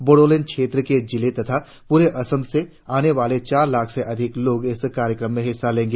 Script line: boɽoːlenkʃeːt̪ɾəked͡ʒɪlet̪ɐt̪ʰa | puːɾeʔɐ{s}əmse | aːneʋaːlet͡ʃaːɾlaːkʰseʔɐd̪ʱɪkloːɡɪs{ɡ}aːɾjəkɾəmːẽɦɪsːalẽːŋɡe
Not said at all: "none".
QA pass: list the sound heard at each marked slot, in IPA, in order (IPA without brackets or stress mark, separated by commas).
s, k